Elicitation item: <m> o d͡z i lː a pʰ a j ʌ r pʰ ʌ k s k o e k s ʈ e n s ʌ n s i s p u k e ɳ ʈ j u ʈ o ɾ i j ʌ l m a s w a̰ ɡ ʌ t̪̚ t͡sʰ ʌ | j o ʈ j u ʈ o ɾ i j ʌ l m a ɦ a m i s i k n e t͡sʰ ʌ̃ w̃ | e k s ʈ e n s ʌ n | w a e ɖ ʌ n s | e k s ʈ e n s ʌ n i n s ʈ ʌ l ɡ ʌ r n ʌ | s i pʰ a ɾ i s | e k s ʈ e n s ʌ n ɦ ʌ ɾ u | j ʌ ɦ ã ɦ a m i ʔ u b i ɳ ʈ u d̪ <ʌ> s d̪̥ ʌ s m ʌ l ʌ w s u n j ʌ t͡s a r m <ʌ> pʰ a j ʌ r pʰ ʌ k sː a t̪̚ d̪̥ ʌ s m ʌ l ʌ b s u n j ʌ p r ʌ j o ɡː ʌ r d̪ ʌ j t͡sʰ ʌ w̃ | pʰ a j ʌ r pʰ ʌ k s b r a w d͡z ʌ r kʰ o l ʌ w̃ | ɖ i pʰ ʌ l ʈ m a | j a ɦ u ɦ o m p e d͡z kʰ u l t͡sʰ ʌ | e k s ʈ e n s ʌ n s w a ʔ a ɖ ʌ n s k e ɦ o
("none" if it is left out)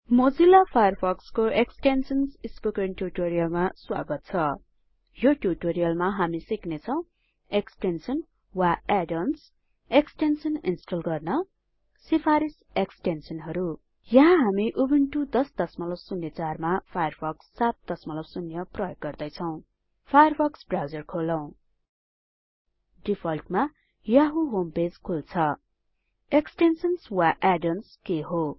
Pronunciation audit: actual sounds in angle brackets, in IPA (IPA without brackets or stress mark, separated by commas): m, ʌ, a